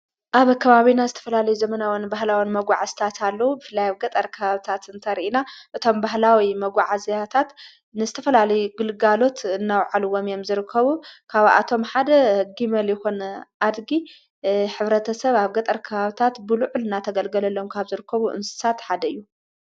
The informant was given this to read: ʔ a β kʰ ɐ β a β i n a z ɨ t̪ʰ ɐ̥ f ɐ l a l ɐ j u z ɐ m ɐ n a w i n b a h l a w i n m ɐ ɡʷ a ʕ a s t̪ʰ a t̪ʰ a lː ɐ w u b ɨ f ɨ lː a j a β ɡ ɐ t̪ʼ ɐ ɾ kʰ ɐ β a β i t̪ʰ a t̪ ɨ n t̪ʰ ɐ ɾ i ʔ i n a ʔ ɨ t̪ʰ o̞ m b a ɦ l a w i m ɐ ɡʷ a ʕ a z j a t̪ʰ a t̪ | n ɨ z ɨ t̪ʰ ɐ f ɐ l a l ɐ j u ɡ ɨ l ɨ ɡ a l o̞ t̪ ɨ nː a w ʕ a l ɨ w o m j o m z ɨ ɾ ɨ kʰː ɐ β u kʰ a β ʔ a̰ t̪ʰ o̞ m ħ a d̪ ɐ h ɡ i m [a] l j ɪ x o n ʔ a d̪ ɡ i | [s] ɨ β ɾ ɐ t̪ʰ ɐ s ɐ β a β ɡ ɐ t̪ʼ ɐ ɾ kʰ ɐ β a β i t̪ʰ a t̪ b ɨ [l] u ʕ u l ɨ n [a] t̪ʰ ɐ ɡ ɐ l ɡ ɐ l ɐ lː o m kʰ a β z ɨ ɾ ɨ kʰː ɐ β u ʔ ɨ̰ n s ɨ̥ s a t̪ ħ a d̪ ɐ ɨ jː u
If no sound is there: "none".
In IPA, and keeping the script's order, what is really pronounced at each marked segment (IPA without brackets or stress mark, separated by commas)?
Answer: ɐ, ħ, l, a